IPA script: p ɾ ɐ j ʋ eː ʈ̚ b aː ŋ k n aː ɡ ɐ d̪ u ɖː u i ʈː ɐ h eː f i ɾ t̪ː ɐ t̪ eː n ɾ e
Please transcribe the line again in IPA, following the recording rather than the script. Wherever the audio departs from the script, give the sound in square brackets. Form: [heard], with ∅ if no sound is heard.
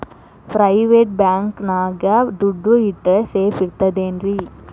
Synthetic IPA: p ɾ ɐ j ʋ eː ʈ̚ b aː ŋ k n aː ɡ ɐ d̪ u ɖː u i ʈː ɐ [s] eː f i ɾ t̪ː ɐ [d̪] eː n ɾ [i]